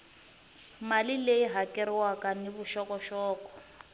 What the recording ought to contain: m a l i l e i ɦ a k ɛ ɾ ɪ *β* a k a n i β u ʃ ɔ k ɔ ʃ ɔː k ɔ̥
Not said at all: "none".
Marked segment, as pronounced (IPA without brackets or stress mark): w